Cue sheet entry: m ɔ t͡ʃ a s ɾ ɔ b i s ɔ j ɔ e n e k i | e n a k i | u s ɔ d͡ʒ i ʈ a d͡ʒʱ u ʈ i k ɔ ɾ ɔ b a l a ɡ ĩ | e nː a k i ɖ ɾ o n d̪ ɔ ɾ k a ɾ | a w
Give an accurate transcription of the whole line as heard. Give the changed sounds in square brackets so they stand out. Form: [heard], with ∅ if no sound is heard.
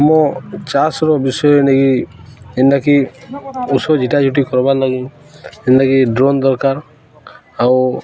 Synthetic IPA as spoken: m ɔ t͡ʃ a s ɾ ɔ b i s ɔ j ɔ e n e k i | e n a k i | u s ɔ d͡ʒ i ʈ a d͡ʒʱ u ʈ i k ɔ ɾ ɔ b a l a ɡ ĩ | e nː a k i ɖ ɾ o n d̪ ɔ ɾ k a ɾ | a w